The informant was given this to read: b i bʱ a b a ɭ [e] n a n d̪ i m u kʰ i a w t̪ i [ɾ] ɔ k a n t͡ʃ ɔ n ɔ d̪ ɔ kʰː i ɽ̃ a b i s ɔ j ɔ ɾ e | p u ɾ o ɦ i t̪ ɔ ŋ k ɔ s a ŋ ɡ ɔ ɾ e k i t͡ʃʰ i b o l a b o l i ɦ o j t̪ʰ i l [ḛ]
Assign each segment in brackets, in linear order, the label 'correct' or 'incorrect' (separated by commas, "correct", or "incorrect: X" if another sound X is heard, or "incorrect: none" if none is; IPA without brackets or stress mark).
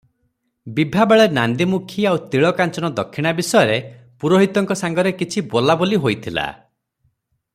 correct, incorrect: ɭ, incorrect: a̰